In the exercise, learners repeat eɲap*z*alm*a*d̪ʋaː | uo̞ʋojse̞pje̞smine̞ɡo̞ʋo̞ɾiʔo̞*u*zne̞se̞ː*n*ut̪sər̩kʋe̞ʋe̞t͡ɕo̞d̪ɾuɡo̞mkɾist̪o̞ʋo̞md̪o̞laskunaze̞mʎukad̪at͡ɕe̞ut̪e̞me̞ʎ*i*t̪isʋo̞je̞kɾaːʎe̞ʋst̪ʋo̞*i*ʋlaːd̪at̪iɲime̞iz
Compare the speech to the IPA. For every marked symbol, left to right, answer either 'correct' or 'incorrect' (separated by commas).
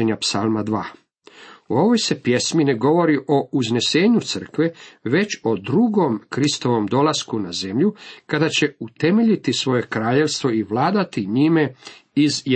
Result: incorrect, correct, correct, incorrect, correct, correct